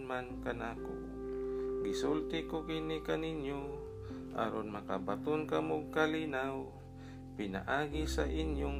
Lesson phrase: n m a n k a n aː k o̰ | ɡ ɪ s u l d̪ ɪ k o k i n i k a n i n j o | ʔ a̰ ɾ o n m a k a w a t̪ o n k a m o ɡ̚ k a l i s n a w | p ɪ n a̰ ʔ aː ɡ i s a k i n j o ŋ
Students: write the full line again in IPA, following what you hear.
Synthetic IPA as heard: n m a n k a n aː k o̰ | ɡ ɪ s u l t̪ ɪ k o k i n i k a n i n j o | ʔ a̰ ɾ o n m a k a b a t̪ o n k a m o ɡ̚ k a l i n a w | p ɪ n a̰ ʔ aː ɡ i s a ʔ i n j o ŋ